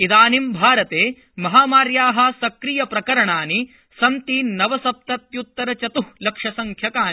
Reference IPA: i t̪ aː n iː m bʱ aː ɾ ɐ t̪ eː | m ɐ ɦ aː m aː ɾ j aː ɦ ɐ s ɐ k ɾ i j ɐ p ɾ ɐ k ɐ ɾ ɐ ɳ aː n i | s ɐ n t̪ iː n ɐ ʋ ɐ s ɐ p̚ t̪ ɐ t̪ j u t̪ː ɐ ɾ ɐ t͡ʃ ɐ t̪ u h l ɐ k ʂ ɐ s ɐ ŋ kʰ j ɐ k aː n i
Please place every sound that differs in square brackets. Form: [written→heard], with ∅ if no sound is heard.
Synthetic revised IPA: i [t̪→d̪] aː n [iː→i] m bʱ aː ɾ ɐ t̪ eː | m ɐ ɦ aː m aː ɾ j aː ɦ ɐ s ɐ k ɾ i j ɐ p ɾ ɐ k ɐ ɾ ɐ ɳ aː n i | s ɐ n t̪ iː n ɐ ʋ ɐ s ɐ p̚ t̪ ɐ t̪ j u t̪ː ɐ ɾ ɐ t͡ʃ ɐ t̪ u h l ɐ k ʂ ɐ s ɐ ŋ kʰ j ɐ k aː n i